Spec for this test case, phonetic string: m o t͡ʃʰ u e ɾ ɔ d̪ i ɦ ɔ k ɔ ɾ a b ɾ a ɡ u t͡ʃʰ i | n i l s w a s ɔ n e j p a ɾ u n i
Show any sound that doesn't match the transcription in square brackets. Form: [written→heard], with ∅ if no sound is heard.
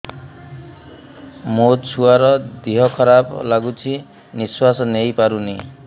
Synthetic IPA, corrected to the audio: m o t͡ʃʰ u [e→a] ɾ ɔ d̪ i ɦ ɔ [k→kʰ] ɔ ɾ a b [ɾ→l] a ɡ u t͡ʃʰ i | n i [l→∅] s w a s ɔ n e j p a ɾ u n i